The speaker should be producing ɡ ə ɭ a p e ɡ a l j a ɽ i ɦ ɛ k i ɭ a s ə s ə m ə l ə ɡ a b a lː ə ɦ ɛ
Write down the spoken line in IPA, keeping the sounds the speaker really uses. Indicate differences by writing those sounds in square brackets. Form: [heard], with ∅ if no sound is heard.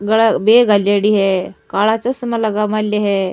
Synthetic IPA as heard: ɡ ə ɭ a [b] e ɡ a l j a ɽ i ɦ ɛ k [a] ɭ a [t͡s] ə s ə m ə l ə ɡ a [m] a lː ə ɦ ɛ

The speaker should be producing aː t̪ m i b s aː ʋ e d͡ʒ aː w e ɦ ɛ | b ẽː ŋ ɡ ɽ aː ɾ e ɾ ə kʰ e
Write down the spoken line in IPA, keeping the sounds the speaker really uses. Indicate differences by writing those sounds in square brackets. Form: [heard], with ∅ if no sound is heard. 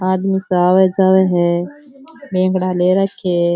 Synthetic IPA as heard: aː [d̪] m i [∅] s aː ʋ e d͡ʒ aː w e ɦ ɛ | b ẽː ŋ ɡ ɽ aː [l] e ɾ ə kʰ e

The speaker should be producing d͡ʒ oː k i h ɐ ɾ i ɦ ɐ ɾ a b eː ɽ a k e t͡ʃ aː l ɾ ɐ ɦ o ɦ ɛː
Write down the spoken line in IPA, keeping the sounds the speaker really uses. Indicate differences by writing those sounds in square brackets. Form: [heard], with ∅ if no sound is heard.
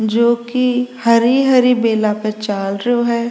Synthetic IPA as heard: d͡ʒ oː k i h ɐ ɾ i ɦ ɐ ɾ [i] b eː [l] a [p] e t͡ʃ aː l ɾ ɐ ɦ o ɦ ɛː

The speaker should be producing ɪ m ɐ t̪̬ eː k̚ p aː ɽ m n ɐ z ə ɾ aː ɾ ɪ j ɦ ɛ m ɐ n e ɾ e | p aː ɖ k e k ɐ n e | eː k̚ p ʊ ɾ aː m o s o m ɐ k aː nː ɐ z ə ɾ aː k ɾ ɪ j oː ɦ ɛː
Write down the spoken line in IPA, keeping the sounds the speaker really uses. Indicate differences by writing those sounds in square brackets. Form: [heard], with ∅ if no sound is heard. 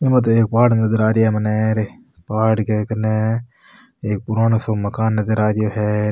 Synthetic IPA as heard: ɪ m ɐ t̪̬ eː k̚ p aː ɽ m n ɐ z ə ɾ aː ɾ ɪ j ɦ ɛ m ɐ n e ɾ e | p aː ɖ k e k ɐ n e | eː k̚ p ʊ ɾ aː [n] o s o m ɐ k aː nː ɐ z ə ɾ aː [∅] ɾ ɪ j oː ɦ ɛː

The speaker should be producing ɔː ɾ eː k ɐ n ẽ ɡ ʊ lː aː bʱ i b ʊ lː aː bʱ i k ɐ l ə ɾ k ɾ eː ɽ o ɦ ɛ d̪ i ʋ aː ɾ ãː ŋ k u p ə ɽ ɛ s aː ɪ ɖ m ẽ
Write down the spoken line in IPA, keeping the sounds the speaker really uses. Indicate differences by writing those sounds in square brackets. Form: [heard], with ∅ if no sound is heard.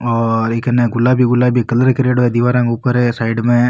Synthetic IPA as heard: ɔː ɾ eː k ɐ n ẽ ɡ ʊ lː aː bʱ i [ɡ] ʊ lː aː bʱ i k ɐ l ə ɾ k ɾ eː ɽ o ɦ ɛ d̪ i ʋ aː ɾ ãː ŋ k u p ə [ɾ] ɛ s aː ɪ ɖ m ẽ

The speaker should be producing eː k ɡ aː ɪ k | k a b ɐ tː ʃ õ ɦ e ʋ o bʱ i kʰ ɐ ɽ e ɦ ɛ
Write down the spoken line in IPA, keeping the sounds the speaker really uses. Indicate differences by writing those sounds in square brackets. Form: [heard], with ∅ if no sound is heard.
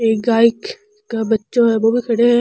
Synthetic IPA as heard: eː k ɡ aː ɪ k | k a b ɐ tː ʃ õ ɦ [ɛ] ʋ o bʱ i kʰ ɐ ɽ e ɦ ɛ

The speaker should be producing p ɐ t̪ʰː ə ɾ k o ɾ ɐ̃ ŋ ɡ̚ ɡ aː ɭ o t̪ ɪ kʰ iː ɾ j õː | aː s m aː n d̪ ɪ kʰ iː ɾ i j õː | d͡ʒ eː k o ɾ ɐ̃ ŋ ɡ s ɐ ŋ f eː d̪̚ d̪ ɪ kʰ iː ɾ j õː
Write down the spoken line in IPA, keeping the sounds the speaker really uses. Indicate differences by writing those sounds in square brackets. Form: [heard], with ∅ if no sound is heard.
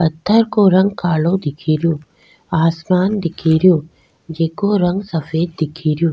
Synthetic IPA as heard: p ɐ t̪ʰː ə ɾ k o ɾ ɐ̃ ŋ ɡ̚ [k] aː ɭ o [d̪] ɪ kʰ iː ɾ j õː | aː s m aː n d̪ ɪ kʰ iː ɾ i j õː | d͡ʒ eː k o ɾ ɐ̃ ŋ ɡ s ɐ [∅] f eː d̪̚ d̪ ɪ kʰ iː ɾ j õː

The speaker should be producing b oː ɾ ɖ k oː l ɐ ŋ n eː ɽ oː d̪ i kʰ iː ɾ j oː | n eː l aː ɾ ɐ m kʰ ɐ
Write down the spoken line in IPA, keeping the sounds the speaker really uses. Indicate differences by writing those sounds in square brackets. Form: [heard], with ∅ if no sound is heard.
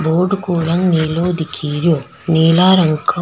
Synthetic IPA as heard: b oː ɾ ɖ k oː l ɐ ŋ n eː [l] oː d̪ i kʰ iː ɾ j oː | n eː l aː ɾ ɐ [ŋ] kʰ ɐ

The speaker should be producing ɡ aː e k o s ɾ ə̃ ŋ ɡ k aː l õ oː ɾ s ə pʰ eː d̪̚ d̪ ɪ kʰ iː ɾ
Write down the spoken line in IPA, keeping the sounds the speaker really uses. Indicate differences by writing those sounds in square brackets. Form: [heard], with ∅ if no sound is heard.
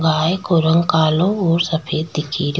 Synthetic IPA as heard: ɡ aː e k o [∅] ɾ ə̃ ŋ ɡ k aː l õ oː ɾ s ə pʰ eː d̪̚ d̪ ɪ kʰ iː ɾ

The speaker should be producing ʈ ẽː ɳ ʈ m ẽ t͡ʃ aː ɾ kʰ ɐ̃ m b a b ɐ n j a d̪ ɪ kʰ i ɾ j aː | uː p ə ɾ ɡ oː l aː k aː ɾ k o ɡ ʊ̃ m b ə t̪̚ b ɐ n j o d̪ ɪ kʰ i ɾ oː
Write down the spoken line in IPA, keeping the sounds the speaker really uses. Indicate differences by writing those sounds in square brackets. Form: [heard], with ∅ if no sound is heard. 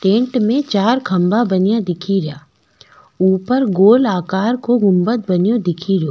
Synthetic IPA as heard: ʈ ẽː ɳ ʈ m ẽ t͡ʃ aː ɾ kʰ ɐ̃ m b a b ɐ n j a d̪ ɪ kʰ i ɾ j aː | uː p ə ɾ ɡ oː l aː k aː ɾ k o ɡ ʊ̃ m b ə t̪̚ b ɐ n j o d̪ ɪ kʰ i ɾ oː

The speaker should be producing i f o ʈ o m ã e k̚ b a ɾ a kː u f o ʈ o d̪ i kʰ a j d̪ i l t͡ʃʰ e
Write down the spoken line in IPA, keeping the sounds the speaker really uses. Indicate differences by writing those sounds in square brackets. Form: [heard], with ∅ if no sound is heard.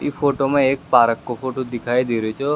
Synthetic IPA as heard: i f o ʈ o m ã e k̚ [p] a ɾ [ə] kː [o] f o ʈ o d̪ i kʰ a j d̪ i [ɾ] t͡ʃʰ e

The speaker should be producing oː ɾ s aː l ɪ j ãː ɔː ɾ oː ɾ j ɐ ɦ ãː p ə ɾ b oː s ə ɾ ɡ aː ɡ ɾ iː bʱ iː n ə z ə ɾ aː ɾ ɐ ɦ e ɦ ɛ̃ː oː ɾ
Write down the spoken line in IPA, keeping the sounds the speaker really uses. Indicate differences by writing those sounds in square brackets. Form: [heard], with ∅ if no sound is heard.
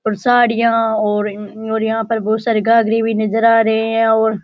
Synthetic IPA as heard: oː ɾ s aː [ɽ] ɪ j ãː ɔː ɾ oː ɾ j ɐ ɦ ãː p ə ɾ b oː s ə ɾ ɡ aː ɡ ɾ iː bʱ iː n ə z ə ɾ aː ɾ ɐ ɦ e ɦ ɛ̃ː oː ɾ

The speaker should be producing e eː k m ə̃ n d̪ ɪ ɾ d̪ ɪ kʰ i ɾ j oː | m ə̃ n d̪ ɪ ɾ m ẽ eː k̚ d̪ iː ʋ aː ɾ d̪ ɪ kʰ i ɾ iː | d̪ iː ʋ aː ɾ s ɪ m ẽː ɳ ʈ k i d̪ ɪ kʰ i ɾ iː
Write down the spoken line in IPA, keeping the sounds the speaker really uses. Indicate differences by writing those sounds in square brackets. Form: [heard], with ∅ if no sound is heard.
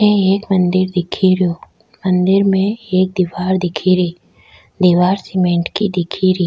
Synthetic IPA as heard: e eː k m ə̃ n d̪ ɪ ɾ d̪ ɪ kʰ i ɾ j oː | m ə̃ n d̪ ɪ ɾ m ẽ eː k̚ d̪ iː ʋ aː ɾ d̪ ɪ kʰ i ɾ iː | d̪ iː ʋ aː ɾ s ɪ m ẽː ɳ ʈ k i d̪ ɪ kʰ i ɾ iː

